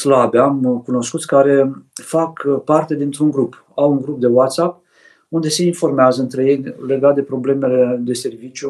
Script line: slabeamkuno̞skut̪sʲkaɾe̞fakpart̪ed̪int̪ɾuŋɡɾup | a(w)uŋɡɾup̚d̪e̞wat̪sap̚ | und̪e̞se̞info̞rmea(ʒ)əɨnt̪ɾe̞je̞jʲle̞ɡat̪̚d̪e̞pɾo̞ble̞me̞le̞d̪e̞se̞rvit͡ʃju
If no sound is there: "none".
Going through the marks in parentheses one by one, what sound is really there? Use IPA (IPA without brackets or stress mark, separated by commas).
w, z